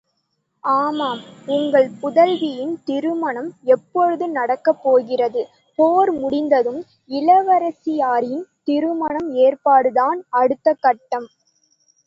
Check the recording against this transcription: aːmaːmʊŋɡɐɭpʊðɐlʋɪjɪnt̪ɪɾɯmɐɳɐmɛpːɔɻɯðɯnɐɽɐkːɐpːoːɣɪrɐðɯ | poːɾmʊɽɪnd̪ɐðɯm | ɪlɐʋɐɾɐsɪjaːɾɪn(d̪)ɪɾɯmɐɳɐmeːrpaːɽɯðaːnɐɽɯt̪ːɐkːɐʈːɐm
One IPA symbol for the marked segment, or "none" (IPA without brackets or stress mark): t̪